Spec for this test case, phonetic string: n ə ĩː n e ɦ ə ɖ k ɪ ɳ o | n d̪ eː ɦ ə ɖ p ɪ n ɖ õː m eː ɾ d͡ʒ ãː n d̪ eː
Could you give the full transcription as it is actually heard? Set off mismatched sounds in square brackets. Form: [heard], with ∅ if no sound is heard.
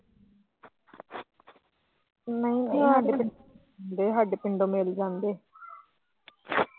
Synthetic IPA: n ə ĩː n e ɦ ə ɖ [p] ɪ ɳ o | n d̪ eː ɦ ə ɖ p ɪ [ɳ] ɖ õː m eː [l] d͡ʒ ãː n d̪ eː

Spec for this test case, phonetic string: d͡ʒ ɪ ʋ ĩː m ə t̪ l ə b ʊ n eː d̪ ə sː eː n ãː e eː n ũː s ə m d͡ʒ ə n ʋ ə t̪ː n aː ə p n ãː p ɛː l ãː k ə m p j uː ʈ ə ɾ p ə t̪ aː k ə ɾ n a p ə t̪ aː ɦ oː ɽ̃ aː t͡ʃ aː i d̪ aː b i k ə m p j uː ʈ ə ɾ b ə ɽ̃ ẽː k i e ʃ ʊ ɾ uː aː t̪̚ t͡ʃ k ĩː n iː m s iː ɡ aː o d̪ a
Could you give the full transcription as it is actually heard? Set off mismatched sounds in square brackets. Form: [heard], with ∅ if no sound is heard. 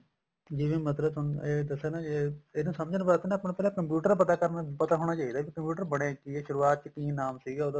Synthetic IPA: d͡ʒ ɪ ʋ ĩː m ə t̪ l ə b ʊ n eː d̪ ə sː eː n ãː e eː n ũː s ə m d͡ʒ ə n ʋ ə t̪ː n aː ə p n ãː p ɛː l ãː k ə m p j uː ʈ ə ɾ p ə t̪ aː k ə ɾ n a p ə t̪ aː ɦ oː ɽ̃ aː t͡ʃ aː i d̪ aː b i k ə m p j uː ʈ ə ɾ b ə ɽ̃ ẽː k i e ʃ ʊ ɾ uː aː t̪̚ t͡ʃ k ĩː n [aː] m s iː ɡ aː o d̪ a

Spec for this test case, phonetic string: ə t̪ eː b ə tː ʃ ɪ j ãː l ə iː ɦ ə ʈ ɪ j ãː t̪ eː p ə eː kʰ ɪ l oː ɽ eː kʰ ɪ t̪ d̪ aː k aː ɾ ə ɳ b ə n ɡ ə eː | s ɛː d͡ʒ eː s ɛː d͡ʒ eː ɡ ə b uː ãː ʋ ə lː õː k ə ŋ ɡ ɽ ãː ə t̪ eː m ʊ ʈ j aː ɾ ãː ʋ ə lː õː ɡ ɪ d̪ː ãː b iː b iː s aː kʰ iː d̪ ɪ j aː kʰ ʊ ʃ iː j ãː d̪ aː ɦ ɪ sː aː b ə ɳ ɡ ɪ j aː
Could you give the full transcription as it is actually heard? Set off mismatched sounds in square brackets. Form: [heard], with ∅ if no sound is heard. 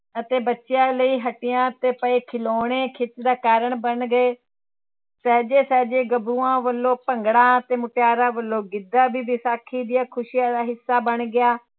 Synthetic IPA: ə t̪ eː b ə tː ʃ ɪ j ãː l ə iː ɦ ə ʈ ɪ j ãː t̪ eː p ə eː kʰ ɪ l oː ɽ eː kʰ ɪ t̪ d̪ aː k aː ɾ ə ɳ b ə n ɡ ə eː | s ɛː d͡ʒ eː s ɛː d͡ʒ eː ɡ ə b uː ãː ʋ ə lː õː [p] ə ŋ ɡ ɽ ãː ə t̪ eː m ʊ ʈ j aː ɾ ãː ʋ ə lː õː ɡ ɪ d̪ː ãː b iː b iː s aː kʰ iː d̪ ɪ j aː kʰ ʊ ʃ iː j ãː d̪ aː ɦ ɪ sː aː b ə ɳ ɡ ɪ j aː

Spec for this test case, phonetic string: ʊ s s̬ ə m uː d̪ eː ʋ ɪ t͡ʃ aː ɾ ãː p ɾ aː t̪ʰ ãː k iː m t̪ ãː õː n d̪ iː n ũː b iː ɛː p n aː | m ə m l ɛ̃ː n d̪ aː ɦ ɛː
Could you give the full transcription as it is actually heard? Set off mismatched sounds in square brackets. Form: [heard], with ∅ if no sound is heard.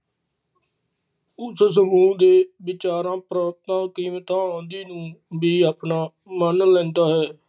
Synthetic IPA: ʊ s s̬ ə m uː d̪ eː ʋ ɪ t͡ʃ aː ɾ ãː p ɾ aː [t̪] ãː k iː m t̪ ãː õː n d̪ iː n ũː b iː [aː] p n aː | m ə [n] l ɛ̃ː n d̪ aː ɦ ɛː

